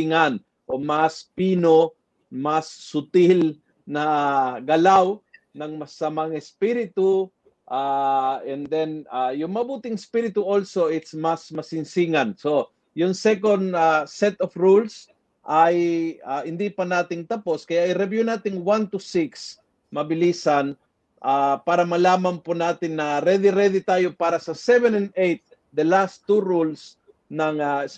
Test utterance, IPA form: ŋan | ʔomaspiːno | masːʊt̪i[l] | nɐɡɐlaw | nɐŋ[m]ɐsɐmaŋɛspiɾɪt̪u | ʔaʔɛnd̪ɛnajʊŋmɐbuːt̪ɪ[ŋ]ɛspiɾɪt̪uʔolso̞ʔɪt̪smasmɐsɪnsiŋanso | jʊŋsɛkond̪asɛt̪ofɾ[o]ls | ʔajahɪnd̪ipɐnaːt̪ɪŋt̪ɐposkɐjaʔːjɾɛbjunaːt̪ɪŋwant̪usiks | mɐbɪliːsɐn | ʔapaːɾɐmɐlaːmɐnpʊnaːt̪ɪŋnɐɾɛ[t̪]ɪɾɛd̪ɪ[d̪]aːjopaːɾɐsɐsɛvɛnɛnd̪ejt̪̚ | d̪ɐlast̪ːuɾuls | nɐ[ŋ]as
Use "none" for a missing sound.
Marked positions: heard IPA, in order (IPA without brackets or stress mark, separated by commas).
l, m, ŋ, u, d̪, t̪, ŋ